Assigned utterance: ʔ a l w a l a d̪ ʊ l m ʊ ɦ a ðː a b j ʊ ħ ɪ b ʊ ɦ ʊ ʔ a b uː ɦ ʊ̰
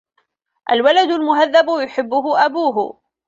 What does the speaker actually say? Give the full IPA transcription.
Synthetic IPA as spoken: ʔ a l w a l a d̪ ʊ l m ʊ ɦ a ðː a b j ʊ ħ ɪ bː ʊ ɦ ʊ ʔ a b uː ɦ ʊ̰